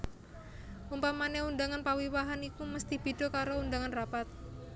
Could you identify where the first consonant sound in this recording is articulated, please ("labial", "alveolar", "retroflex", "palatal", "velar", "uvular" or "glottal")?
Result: labial